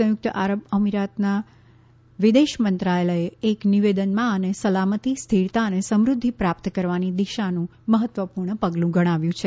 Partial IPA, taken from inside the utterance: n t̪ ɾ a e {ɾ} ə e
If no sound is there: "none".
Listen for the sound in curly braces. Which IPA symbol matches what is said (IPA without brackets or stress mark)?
l